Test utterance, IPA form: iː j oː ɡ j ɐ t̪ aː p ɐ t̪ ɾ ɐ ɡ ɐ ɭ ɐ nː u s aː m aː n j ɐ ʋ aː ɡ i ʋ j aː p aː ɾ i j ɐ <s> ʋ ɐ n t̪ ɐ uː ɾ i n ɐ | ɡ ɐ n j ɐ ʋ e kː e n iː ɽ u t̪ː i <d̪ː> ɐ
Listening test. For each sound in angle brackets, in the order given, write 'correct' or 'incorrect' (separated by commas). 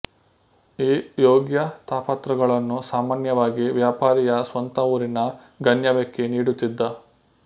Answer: correct, correct